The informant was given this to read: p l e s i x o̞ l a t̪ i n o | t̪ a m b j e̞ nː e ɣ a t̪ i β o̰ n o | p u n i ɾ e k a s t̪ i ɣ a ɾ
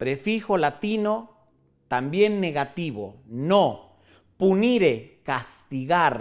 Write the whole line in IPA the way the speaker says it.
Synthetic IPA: p ɾ e f i x o̞ l a t̪ i n o | t̪ a m b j e̞ nː e ɣ a t̪ i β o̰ n o | p u n i ɾ e k a s t̪ i ɣ a ɾ